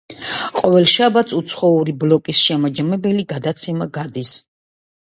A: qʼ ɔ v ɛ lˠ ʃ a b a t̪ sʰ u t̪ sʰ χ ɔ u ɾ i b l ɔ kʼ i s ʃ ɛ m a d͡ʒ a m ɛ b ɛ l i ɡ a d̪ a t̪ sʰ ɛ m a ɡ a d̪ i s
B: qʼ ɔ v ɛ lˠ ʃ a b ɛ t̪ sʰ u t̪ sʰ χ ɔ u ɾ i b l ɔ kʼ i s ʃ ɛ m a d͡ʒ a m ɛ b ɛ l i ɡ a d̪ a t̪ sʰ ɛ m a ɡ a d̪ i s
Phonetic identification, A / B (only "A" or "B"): A